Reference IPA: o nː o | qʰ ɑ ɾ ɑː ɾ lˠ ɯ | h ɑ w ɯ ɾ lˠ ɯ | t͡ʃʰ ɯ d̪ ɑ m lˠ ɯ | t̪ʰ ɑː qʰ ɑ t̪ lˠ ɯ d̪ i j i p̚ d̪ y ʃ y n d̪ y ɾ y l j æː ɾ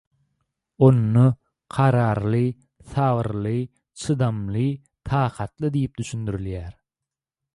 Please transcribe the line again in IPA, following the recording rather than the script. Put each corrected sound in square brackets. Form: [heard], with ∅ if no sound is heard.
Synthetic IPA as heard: o nː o | qʰ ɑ ɾ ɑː ɾ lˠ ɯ | [θ] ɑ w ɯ ɾ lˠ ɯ | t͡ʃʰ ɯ d̪ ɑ m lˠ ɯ | t̪ʰ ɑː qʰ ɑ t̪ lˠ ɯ d̪ i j i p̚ d̪ y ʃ y n d̪ y ɾ y l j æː ɾ